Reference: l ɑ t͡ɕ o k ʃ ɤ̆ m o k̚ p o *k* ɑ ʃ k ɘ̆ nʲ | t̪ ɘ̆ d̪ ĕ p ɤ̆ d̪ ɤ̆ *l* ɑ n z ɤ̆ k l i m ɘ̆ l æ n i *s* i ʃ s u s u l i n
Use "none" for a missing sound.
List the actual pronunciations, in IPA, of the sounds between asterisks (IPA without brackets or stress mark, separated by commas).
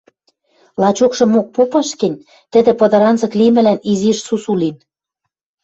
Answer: p, ɾ, z